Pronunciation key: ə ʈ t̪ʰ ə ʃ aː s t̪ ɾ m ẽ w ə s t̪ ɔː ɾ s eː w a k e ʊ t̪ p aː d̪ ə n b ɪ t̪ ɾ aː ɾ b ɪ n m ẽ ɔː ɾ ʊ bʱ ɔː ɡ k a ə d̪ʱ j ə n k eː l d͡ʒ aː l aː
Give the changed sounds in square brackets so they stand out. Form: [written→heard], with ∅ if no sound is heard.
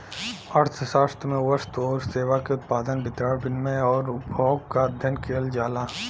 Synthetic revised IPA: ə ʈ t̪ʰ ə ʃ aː s t̪ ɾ m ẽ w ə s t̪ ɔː ɾ s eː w a k e ʊ t̪ p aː d̪ ə n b ɪ t̪ ɾ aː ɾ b ɪ n m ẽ ɔː ɾ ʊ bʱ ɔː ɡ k a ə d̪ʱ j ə n k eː l d͡ʒ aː l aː